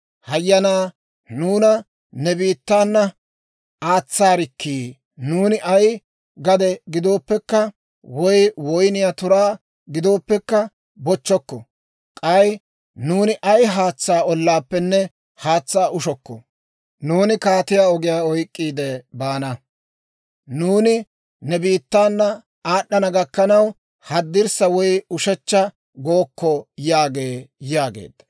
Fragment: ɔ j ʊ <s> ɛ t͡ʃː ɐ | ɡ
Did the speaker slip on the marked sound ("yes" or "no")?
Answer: yes